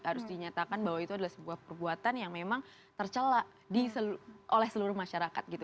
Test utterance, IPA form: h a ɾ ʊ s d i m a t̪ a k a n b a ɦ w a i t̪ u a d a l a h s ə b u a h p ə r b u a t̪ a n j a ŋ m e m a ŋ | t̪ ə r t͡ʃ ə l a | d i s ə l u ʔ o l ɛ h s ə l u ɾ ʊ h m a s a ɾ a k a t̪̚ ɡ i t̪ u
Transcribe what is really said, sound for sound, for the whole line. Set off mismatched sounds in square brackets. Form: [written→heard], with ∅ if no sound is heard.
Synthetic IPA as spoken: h a ɾ ʊ s d i [m→ɲ] a t̪ a k a n b a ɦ w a i t̪ u a d a l a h s ə b u a h p ə r b u a t̪ a n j a ŋ m e m a ŋ | t̪ ə r t͡ʃ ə l a | d i s ə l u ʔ o l ɛ h s ə l u ɾ ʊ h m a [s→ʃ] a ɾ a k a t̪̚ ɡ i t̪ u